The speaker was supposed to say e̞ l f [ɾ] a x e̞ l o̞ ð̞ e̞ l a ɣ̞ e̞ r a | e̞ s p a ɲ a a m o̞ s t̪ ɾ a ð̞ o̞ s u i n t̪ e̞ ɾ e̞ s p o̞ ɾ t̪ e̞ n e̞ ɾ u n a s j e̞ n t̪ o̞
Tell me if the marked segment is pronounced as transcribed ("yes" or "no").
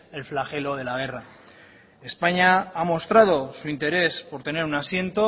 no